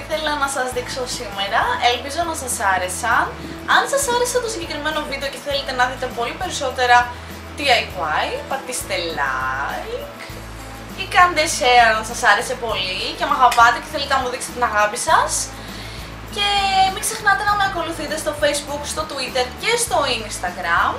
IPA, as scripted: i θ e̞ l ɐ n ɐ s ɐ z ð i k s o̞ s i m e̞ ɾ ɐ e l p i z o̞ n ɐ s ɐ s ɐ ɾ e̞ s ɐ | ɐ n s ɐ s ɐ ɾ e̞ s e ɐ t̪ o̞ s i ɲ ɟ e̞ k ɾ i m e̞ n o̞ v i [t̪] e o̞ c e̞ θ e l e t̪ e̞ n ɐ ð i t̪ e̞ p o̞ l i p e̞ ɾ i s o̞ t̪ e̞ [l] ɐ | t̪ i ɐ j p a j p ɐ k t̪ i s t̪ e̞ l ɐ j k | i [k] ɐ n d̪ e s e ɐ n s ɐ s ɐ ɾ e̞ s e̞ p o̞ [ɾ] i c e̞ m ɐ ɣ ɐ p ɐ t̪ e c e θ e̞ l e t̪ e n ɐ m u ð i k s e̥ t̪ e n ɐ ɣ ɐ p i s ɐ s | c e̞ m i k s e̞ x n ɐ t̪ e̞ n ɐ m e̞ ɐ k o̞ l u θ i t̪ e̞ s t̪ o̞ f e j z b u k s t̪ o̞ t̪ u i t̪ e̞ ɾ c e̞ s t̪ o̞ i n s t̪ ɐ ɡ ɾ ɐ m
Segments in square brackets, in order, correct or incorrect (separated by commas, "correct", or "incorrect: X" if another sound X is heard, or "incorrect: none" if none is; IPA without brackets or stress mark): incorrect: d̪, incorrect: ɾ, correct, incorrect: l